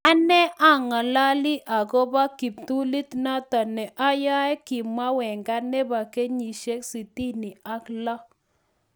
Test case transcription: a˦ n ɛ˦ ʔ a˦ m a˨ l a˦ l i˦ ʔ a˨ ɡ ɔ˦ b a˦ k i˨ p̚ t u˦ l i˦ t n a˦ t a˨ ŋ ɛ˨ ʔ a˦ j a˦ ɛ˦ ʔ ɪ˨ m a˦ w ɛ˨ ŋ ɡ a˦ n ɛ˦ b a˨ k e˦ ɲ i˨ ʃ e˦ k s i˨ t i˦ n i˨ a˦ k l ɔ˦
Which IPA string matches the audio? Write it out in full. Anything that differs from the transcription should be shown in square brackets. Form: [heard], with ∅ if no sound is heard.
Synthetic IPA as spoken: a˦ n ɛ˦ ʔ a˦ [ŋ] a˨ l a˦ l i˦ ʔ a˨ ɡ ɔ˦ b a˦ k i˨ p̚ t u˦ l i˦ t n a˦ t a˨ [n] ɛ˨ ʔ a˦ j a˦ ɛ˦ [k] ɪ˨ m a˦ w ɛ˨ ŋ ɡ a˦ n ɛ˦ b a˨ k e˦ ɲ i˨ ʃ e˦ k s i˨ t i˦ n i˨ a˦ k l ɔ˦